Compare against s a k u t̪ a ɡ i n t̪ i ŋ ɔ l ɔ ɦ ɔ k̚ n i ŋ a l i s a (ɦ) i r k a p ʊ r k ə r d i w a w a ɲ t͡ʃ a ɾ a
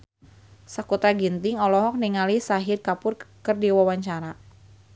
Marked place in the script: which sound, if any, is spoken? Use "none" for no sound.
ɦ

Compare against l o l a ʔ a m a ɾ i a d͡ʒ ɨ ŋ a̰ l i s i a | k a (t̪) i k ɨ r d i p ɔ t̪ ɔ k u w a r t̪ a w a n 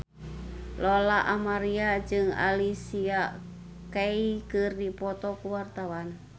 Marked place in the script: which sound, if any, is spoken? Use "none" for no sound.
none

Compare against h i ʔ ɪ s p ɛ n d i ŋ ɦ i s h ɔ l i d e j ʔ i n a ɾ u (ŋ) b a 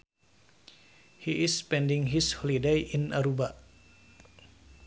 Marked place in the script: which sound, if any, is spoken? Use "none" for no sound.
none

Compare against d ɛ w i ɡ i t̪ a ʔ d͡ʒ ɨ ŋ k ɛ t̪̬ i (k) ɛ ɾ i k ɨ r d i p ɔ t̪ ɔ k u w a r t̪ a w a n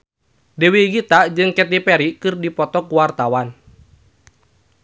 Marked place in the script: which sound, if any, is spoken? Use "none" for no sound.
p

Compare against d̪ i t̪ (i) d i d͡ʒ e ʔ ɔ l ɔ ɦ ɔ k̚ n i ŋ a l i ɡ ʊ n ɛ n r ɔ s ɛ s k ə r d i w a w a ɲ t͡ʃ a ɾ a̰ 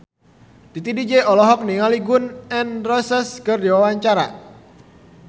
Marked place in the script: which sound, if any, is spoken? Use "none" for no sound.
i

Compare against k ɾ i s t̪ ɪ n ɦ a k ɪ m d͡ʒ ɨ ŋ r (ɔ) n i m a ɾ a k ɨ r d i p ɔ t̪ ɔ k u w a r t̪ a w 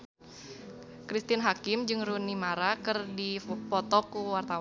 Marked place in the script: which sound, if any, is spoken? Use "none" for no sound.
u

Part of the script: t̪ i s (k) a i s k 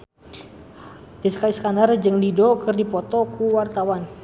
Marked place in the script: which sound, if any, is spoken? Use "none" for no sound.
k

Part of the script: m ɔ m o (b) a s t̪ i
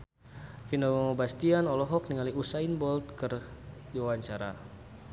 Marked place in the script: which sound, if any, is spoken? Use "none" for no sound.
b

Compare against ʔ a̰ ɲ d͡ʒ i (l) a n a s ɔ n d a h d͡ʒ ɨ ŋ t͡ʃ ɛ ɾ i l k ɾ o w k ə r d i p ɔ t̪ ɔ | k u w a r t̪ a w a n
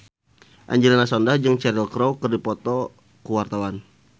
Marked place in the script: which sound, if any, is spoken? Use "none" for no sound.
l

